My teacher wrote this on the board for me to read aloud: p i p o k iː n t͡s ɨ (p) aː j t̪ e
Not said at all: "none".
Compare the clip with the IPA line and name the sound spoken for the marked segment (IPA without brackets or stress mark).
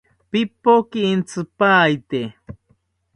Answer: p